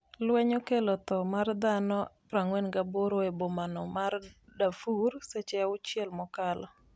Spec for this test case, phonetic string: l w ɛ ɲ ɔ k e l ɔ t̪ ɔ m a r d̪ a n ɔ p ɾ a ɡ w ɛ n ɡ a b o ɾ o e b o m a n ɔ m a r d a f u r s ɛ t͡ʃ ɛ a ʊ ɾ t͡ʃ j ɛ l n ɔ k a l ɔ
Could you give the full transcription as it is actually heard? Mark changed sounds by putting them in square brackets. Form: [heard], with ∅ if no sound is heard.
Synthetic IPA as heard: l w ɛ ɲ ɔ k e l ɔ t̪ ɔ m a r d̪ a n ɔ p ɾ a [ŋ] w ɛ n ɡ a b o ɾ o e b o m a n ɔ m a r d a f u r s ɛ t͡ʃ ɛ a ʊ [∅] t͡ʃ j ɛ l [m] ɔ k a l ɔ